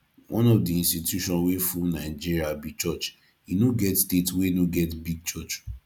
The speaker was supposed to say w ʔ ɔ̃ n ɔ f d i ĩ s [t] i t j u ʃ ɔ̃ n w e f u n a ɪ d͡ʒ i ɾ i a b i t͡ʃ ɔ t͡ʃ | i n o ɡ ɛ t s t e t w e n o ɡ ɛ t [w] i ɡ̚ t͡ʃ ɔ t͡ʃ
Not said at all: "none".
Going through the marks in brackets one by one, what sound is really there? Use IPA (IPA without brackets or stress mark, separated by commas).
t, b